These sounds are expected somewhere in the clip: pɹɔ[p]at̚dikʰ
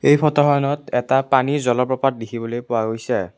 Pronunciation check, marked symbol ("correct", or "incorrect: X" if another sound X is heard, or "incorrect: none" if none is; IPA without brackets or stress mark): correct